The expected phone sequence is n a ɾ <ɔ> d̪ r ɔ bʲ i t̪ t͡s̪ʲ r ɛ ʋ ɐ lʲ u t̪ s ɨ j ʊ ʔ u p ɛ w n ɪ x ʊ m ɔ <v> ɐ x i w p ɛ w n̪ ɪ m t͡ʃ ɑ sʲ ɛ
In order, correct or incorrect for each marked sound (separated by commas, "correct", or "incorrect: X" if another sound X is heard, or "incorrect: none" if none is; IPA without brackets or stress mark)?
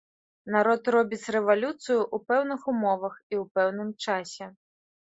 correct, incorrect: ʋ